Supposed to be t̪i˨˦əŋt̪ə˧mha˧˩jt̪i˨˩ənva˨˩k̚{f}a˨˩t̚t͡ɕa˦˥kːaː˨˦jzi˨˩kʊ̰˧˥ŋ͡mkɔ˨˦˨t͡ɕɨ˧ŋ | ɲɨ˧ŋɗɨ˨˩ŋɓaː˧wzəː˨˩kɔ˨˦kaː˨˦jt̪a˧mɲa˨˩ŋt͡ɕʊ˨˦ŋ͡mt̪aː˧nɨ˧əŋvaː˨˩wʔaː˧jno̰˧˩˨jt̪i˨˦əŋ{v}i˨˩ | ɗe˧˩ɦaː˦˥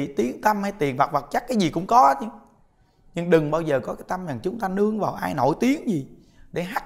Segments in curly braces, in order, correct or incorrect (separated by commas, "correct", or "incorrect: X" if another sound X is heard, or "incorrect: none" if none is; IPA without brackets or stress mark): incorrect: v, incorrect: z